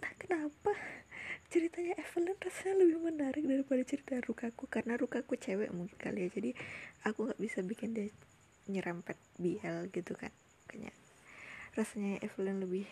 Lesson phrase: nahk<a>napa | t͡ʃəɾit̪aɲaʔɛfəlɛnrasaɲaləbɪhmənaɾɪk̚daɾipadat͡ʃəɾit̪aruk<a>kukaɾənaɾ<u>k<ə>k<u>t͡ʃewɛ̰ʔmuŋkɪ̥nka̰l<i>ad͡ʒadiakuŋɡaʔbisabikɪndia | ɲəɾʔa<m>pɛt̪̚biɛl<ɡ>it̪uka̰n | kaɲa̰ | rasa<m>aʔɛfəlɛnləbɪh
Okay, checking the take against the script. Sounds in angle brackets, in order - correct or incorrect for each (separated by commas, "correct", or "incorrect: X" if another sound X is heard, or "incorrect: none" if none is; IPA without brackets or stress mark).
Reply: incorrect: ə, correct, correct, incorrect: a, correct, correct, correct, correct, incorrect: ɲ